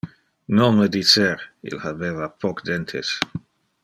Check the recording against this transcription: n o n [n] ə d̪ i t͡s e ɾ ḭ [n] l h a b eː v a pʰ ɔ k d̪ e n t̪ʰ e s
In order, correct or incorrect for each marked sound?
incorrect: m, incorrect: none

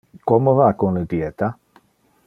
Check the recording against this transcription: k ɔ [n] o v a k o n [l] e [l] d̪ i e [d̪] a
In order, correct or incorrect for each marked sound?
incorrect: m, correct, incorrect: none, incorrect: t̪

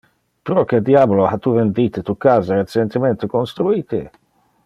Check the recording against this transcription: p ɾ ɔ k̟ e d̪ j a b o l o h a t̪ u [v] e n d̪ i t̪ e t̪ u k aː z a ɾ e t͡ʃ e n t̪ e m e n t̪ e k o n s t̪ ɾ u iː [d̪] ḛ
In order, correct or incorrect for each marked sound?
correct, incorrect: t̪

